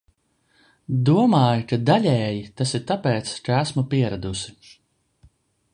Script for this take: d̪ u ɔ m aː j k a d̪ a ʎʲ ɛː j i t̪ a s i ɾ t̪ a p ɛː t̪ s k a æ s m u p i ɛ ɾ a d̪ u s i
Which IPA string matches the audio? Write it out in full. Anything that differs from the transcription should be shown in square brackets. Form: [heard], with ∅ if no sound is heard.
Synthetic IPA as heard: d̪ u ɔ m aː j k a d̪ a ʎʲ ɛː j i t̪ a s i ɾ t̪ a p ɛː t̪ s k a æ s m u p i ɛ ɾ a d̪ u s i